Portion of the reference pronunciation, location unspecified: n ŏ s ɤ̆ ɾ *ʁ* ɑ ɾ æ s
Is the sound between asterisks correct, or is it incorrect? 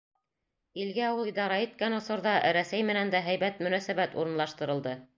incorrect